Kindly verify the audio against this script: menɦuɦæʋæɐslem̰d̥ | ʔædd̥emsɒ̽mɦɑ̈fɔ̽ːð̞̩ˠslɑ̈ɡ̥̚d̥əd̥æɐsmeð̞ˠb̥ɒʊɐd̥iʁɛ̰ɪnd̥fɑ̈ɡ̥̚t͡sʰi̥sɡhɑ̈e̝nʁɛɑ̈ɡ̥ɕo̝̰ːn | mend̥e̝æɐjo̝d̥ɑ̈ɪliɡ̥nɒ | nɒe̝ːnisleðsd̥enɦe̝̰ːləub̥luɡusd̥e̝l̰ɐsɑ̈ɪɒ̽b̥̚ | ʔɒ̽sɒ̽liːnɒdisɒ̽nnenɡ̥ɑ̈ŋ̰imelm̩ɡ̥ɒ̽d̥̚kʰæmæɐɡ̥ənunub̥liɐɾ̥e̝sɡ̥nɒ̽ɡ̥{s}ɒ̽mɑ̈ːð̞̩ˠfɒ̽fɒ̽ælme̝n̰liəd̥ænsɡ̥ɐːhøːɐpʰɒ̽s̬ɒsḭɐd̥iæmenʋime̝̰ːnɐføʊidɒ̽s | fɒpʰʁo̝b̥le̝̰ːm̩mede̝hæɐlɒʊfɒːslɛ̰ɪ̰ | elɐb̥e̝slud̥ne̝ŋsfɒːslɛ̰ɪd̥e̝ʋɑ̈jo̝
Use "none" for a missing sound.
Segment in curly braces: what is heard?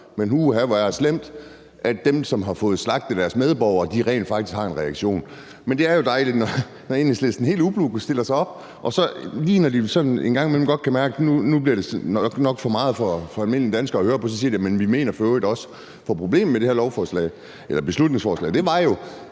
f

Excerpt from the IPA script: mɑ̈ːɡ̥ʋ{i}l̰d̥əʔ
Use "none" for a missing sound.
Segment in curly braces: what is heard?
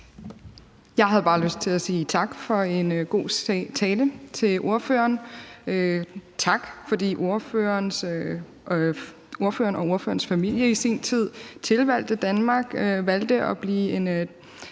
æ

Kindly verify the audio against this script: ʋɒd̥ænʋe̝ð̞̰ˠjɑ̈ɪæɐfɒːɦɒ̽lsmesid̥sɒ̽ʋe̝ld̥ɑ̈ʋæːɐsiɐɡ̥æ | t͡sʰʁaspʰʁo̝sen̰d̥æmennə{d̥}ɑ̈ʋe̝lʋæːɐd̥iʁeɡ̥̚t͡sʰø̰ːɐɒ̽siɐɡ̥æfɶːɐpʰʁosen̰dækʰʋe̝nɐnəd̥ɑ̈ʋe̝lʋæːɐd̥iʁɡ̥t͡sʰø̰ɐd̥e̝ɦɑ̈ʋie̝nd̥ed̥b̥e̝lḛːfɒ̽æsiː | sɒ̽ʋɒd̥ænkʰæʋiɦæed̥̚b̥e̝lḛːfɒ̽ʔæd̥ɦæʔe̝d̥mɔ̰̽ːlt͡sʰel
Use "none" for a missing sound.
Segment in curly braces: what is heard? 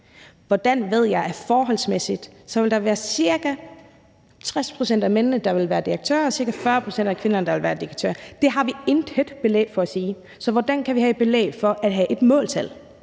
d̥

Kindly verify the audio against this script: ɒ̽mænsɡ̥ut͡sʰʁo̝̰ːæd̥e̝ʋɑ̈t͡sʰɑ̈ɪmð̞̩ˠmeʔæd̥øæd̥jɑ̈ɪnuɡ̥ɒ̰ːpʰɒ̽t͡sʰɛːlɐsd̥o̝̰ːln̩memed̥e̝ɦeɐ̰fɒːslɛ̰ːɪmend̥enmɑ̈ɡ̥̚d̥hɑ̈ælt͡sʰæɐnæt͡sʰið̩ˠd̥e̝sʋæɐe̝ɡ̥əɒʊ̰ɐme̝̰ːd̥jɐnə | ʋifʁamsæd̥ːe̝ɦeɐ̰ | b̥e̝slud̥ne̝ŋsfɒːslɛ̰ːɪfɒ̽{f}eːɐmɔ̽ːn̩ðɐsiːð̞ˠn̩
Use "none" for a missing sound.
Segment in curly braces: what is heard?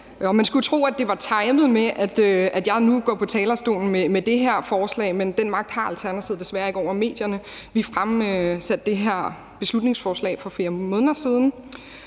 f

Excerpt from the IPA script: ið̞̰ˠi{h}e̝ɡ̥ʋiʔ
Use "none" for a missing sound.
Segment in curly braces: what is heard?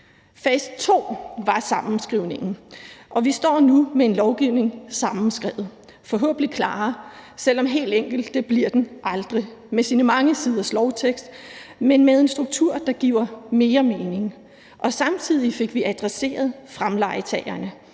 f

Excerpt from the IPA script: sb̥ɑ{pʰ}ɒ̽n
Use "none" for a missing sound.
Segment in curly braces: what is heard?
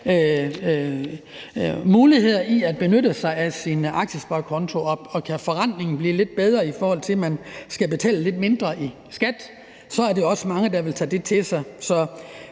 kʰ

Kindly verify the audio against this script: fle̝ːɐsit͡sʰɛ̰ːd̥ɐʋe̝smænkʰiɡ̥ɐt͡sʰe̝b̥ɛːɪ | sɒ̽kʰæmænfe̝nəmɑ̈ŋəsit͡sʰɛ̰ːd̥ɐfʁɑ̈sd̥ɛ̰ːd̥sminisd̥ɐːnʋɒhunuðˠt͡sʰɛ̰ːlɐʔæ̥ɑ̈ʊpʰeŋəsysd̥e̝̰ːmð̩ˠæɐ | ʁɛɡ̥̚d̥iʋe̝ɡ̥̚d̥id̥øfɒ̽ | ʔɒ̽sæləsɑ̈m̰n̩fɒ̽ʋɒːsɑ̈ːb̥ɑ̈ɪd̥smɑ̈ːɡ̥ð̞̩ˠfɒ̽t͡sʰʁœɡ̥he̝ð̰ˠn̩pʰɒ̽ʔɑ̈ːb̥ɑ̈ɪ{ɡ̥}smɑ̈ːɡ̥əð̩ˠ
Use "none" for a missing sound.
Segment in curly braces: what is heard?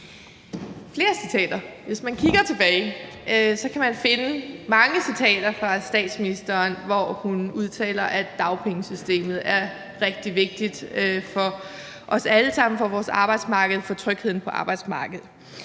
d̥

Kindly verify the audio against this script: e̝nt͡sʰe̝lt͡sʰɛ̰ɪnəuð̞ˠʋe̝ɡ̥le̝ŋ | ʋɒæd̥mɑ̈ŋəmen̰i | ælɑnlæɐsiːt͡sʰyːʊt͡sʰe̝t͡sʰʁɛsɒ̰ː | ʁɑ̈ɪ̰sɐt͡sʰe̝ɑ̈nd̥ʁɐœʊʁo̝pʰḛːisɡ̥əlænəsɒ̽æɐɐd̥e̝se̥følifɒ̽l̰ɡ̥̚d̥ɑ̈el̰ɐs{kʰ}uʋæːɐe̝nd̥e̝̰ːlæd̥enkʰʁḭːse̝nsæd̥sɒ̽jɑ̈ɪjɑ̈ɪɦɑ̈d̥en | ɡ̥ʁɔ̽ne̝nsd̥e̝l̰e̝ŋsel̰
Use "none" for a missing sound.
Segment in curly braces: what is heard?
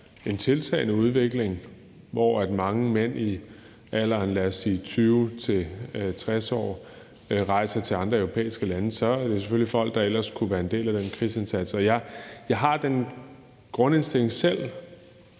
kʰ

